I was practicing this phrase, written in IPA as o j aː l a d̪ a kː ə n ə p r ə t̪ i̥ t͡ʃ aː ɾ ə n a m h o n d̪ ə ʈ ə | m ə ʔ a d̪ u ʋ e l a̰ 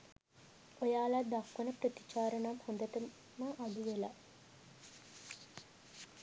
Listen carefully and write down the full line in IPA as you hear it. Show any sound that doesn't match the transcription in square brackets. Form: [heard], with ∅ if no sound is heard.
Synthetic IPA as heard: o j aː l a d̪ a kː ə n ə p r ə t̪ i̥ t͡ʃ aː ɾ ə n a m h o n d̪ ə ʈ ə | m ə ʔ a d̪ u ʋ e l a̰